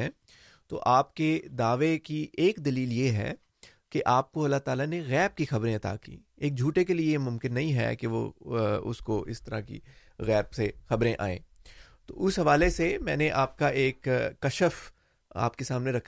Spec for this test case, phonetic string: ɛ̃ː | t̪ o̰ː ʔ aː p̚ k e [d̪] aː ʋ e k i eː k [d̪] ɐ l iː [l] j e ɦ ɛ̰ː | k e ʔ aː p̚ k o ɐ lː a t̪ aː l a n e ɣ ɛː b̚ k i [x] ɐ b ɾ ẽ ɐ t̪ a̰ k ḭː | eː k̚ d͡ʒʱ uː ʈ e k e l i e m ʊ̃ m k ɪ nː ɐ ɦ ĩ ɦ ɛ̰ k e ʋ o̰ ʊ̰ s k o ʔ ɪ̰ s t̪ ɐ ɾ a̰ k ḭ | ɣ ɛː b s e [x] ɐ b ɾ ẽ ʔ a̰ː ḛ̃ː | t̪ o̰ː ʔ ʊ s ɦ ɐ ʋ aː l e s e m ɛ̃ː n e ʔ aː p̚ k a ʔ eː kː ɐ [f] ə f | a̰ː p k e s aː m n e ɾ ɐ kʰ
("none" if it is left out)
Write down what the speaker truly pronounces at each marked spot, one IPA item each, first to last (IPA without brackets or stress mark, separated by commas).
d̪, d̪, l, x, x, ʃ